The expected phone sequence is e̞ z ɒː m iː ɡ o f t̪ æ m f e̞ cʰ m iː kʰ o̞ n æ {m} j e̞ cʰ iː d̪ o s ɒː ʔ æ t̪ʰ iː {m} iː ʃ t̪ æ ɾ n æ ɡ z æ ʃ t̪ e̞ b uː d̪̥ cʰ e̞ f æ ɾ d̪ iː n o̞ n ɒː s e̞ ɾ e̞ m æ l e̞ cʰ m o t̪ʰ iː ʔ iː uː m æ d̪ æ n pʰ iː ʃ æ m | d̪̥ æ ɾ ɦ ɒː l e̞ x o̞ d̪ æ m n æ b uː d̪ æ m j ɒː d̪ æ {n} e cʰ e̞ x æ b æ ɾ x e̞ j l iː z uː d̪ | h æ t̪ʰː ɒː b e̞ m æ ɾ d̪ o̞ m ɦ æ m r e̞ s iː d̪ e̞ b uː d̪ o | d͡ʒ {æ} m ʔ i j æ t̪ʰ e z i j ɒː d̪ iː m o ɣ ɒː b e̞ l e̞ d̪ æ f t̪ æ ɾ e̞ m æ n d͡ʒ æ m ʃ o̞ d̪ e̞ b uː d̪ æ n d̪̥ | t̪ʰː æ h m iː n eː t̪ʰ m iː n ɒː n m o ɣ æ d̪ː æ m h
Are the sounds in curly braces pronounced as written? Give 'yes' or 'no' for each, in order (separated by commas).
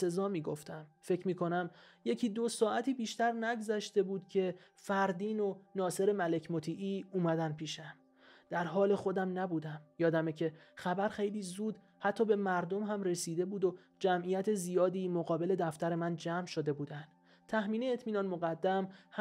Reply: yes, no, no, yes